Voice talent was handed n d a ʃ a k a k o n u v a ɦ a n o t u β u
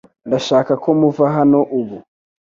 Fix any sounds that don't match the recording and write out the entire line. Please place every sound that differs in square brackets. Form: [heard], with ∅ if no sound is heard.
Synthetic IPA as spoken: n d a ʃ a k a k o [m] u v a ɦ a n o [ʔ] u β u

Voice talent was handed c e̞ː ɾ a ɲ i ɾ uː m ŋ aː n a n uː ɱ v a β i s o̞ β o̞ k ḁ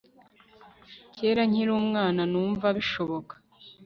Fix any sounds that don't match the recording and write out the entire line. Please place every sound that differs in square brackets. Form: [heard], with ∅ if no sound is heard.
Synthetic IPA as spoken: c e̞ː ɾ a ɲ i ɾ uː m ŋ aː n a n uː ɱ v a β i [ʃ] o̞ β o̞ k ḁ

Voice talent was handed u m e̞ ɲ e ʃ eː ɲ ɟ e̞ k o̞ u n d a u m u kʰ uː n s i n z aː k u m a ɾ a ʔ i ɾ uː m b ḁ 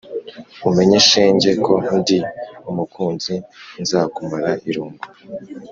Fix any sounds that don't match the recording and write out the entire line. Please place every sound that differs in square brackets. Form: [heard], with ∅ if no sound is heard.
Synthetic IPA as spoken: u m e̞ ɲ e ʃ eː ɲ ɟ e̞ k o̞ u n d [i] u m u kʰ uː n [z] i n z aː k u m a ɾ a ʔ i ɾ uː m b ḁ

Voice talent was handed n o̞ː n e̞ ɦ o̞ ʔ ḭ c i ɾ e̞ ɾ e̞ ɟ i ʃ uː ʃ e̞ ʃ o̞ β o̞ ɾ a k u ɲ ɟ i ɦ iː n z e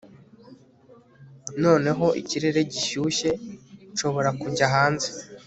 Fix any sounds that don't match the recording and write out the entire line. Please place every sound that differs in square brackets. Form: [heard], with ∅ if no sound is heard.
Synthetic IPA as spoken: n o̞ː n e̞ ɦ o̞ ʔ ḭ c i ɾ e̞ ɾ e̞ ɟ i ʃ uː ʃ e̞ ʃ o̞ β o̞ ɾ a k u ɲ ɟ [a] ɦ [aː] n z e

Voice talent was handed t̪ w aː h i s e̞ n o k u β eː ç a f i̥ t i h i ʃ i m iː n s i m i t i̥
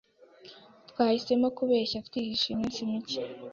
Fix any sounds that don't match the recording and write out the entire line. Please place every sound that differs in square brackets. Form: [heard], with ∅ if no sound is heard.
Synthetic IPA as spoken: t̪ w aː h i s e̞ [m] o k u β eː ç a f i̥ t i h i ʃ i m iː n s i m i [c] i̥

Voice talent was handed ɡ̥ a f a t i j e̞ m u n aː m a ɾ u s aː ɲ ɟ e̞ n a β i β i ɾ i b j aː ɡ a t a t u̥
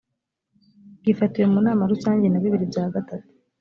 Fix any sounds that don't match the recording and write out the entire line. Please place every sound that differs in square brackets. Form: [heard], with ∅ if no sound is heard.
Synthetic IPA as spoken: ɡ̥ [i] f a t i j e̞ m u n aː m a ɾ u s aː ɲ ɟ e̞ n a β i β i ɾ i b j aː ɡ a t a t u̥

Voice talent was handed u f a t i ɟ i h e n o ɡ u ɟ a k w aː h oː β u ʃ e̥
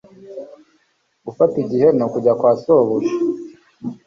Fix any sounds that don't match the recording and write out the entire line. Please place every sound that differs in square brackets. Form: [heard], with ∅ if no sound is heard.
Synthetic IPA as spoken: u f a t i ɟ i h e n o [k] u ɟ a k w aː [s] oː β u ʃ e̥

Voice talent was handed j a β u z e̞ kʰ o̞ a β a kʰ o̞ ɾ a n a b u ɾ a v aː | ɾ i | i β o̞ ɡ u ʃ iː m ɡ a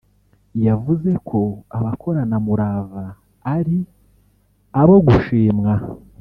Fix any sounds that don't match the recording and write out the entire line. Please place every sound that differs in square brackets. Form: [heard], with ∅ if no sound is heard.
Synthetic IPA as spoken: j a [v] u z e̞ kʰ o̞ a β a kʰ o̞ ɾ a n a [m] u ɾ a v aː | ɾ i | [a] β o̞ ɡ u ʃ iː m [ŋ] a

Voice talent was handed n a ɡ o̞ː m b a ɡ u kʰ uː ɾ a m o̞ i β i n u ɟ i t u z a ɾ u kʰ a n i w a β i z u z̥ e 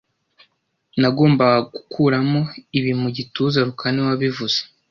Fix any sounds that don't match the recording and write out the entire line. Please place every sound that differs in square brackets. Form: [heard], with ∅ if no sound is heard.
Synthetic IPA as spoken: n a ɡ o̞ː m b a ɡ u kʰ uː ɾ a m o̞ i β i [m] u ɟ i t u z a ɾ u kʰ a n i w a β i [v] u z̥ e

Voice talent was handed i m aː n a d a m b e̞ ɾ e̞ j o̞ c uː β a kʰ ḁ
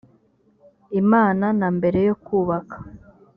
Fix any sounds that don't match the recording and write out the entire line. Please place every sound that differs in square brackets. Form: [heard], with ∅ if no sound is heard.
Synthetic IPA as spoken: i m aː n a [n] a m b e̞ ɾ e̞ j o̞ [k] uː β a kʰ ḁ

